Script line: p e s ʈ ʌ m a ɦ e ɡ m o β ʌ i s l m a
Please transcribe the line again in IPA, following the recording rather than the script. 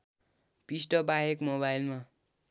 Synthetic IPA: p i s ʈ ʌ b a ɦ e k m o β a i l m a